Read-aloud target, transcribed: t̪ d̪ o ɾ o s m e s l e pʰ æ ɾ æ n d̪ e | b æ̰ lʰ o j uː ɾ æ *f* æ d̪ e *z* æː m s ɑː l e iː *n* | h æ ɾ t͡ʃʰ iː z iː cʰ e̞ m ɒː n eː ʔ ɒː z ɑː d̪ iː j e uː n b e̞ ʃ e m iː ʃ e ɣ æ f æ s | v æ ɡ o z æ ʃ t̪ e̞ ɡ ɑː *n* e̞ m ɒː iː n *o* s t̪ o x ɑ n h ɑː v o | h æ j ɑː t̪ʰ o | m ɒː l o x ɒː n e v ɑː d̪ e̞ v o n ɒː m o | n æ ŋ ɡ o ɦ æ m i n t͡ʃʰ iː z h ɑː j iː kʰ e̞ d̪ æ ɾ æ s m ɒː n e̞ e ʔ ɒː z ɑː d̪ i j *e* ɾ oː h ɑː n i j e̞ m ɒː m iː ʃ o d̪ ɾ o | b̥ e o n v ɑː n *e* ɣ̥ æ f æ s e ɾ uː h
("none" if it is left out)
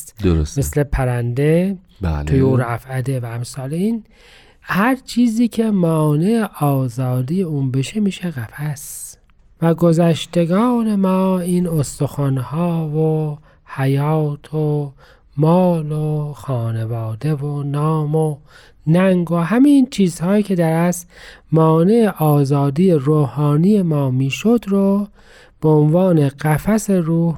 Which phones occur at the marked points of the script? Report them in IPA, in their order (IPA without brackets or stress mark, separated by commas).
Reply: f, v, n, n, o, e, e